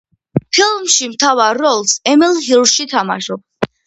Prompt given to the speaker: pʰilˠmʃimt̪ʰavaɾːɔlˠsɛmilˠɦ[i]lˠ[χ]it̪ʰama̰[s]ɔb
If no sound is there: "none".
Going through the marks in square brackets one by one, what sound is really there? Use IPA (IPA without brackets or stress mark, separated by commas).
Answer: i, ʃ, ʃ